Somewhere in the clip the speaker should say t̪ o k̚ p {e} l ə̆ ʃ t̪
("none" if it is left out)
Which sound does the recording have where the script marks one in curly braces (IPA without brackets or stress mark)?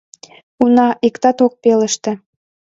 e